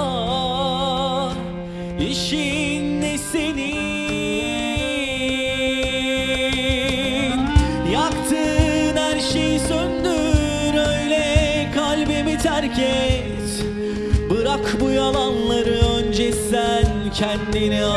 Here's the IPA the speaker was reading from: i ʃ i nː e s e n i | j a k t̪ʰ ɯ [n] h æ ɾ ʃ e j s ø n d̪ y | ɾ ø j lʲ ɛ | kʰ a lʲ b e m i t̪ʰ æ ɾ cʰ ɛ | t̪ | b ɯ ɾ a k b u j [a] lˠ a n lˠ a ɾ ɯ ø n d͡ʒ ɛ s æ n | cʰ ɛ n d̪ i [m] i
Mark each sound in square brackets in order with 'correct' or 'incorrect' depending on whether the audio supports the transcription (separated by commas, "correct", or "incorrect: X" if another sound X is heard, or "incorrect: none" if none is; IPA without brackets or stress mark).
correct, correct, incorrect: n